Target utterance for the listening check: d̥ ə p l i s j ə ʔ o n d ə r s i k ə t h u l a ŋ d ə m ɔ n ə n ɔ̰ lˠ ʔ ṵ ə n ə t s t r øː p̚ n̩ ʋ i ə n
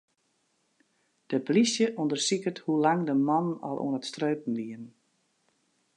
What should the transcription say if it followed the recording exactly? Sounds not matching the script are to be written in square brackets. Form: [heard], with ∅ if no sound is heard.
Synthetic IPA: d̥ ə p l i s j ə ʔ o n d ə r s i k ə t h u l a ŋ d ə m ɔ n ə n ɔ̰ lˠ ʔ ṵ ə n ə t s t r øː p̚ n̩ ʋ i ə n